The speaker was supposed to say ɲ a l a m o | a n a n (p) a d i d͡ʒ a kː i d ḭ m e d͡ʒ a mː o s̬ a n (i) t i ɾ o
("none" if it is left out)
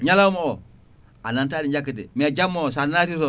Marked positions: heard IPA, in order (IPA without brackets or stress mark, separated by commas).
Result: t, a